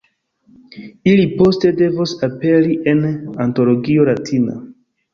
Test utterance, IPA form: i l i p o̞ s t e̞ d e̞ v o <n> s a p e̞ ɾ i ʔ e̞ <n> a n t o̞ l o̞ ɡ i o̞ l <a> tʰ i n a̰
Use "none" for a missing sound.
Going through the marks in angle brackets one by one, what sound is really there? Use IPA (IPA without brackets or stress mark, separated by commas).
none, n, a